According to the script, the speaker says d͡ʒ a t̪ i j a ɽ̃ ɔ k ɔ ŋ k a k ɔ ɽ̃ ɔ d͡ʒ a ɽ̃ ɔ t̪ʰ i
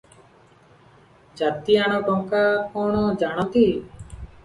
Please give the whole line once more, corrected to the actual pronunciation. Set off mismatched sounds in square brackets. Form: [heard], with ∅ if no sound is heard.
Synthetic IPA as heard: d͡ʒ a t̪ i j a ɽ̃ ɔ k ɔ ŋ k a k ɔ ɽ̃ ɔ d͡ʒ a ɽ̃ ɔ [t̪] i

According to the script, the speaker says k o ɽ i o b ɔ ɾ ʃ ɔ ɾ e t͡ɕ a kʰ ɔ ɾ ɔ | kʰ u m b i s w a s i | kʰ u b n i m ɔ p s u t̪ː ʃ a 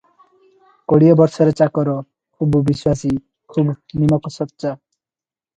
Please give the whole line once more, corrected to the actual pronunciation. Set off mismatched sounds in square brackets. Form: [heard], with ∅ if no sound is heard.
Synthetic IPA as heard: k o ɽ i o b ɔ ɾ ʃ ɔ ɾ e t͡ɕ a [k] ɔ ɾ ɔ | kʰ u [b] b i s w a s i | kʰ u b n i m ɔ [k] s [ɔ] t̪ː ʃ a

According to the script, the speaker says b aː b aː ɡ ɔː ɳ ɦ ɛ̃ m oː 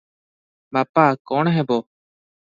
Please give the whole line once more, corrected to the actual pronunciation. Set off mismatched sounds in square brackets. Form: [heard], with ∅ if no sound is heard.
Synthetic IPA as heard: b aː [p] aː [k] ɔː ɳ ɦ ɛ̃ [b] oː

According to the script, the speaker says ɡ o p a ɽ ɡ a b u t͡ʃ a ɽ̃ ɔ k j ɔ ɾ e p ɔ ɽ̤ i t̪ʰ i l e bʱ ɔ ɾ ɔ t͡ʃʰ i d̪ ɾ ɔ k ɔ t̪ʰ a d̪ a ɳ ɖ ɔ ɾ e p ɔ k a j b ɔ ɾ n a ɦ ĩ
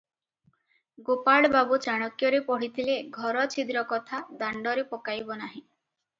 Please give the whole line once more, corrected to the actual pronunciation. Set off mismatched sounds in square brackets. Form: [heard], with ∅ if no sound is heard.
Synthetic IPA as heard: ɡ o p a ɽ [b] a b u t͡ʃ a ɽ̃ ɔ k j ɔ ɾ e p ɔ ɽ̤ i t̪ʰ i l e [ɡʱ] ɔ ɾ ɔ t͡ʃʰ i d̪ ɾ ɔ k ɔ t̪ʰ a d̪ a ɳ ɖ ɔ ɾ e p ɔ k a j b ɔ [∅] n a ɦ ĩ

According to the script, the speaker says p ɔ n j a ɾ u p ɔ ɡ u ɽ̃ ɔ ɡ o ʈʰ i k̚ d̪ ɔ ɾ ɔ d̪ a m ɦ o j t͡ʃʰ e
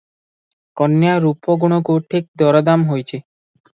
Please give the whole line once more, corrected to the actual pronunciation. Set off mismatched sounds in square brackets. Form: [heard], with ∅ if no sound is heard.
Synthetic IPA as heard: [k] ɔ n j a ɾ u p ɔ ɡ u ɽ̃ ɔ ɡ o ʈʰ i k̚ d̪ ɔ ɾ ɔ d̪ a m ɦ o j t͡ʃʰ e

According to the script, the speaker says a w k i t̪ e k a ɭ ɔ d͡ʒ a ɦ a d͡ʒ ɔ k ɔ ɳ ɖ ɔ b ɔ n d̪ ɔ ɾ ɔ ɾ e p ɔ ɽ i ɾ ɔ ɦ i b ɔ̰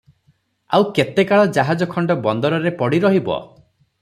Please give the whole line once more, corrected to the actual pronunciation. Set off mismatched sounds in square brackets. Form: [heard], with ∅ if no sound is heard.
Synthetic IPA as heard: a w k [e] t̪ e k a ɭ ɔ d͡ʒ a ɦ a d͡ʒ ɔ [kʰ] ɔ ɳ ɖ ɔ b ɔ n d̪ ɔ ɾ ɔ ɾ e p ɔ ɽ i ɾ ɔ ɦ i b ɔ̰

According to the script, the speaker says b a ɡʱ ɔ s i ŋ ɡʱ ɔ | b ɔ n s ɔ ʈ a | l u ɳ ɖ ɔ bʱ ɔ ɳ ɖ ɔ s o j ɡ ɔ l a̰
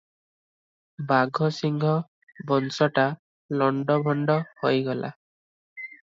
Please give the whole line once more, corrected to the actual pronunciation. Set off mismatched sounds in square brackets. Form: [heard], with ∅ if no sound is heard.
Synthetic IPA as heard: b a ɡʱ ɔ s i ŋ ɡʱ ɔ | b ɔ n s ɔ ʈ a | l [ɔ] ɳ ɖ ɔ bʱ ɔ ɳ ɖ ɔ [h] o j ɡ ɔ l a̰

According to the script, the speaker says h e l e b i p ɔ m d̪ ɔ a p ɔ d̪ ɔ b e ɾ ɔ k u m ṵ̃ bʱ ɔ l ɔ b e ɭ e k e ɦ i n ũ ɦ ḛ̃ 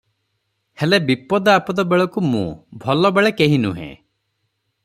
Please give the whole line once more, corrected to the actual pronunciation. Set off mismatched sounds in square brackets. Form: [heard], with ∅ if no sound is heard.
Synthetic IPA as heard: h e l e b i p ɔ [∅] d̪ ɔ a p ɔ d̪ ɔ b e [ɭ] ɔ k u m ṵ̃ bʱ ɔ l ɔ b e ɭ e k e ɦ i n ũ ɦ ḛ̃

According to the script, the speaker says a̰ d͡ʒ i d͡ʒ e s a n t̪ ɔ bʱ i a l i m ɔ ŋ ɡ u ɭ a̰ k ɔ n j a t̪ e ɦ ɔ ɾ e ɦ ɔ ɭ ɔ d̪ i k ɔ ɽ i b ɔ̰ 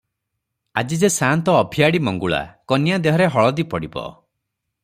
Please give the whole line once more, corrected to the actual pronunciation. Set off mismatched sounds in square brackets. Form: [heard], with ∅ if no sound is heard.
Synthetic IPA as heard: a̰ d͡ʒ i d͡ʒ e s a n t̪ [ɔː] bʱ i a [ɽ] i m ɔ ŋ ɡ u ɭ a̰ k ɔ n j a [d̪] e ɦ ɔ ɾ e ɦ ɔ ɭ ɔ d̪ i [p] ɔ ɽ i b ɔ̰

